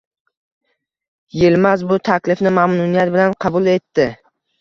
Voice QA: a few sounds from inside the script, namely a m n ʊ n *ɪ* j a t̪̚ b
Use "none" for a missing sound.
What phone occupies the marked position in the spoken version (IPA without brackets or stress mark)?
i